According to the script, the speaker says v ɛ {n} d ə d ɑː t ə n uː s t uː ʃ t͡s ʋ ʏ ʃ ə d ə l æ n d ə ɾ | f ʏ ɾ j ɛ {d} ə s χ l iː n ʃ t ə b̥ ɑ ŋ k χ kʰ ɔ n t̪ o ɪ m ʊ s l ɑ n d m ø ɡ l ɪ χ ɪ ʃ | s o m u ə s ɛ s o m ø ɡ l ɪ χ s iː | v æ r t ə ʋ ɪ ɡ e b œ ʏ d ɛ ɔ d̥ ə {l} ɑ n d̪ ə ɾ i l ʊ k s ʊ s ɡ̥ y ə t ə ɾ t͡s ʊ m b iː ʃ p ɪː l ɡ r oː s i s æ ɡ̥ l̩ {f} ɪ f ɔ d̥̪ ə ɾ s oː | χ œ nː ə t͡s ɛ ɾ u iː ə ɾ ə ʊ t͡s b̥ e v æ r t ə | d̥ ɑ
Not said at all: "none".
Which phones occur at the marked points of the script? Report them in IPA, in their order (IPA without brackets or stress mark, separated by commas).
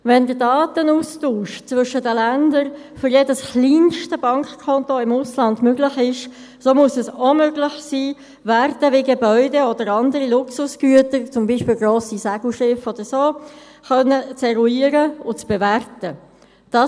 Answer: n, d, ɾ, ʃ